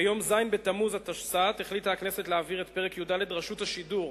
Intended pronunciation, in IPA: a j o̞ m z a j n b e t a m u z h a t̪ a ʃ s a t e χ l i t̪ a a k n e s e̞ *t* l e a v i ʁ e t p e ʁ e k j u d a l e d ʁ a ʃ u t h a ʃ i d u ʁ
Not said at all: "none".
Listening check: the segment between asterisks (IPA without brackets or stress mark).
t